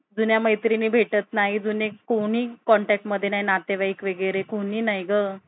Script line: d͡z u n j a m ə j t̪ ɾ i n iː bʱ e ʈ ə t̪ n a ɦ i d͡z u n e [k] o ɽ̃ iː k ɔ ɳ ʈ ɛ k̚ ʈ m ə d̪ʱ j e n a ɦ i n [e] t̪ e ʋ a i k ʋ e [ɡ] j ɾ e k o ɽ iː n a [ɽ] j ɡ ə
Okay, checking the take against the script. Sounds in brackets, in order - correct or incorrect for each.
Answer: correct, incorrect: a, correct, incorrect: none

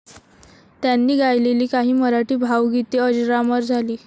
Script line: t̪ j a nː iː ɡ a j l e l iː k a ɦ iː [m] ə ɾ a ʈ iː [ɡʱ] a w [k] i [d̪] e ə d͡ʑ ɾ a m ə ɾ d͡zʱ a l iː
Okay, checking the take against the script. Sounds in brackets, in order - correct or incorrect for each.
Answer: correct, incorrect: bʱ, incorrect: ɡ, incorrect: t̪

